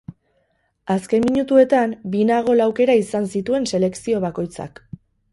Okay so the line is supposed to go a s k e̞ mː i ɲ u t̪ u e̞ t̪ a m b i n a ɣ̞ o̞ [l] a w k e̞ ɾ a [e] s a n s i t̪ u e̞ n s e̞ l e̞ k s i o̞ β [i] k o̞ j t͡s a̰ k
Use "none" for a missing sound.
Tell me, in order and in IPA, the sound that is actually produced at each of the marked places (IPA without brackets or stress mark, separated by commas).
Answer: l, i, a